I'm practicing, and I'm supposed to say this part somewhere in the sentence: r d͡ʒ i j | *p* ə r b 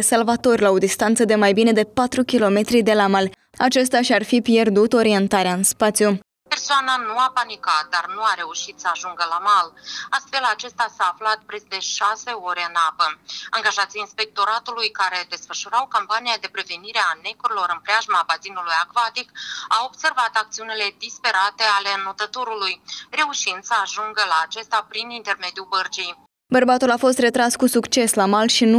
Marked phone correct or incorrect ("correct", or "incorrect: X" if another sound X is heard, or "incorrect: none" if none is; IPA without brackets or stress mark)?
incorrect: b